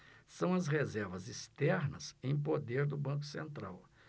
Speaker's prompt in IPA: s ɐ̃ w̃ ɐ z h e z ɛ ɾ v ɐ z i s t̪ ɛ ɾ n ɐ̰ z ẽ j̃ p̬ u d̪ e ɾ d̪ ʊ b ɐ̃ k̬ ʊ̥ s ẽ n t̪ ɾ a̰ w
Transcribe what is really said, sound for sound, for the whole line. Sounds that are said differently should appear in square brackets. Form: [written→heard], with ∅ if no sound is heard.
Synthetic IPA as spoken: s ɐ̃ w̃ ɐ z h e z ɛ ɾ v ɐ z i s t̪ ɛ ɾ n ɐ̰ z ẽ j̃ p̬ [u→o] d̪ e ɾ d̪ ʊ b ɐ̃ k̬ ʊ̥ s ẽ n t̪ ɾ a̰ w